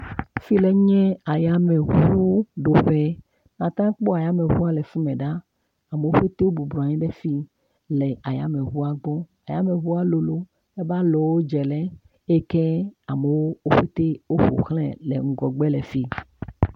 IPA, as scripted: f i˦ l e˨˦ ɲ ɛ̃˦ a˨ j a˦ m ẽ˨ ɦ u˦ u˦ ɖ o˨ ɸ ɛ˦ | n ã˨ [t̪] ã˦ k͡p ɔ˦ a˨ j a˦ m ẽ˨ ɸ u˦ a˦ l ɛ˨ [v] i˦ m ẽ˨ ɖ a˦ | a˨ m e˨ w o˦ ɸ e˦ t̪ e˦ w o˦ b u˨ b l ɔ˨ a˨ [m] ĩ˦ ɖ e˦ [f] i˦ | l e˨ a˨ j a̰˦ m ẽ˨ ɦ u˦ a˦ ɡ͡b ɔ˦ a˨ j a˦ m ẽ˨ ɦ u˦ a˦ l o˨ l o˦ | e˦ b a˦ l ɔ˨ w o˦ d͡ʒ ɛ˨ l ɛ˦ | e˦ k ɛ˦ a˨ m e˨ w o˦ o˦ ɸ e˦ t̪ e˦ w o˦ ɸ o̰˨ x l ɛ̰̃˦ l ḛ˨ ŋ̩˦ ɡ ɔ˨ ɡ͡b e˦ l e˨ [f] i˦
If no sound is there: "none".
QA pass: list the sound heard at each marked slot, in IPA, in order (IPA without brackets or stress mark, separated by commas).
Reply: t̪, f, ɲ, f, f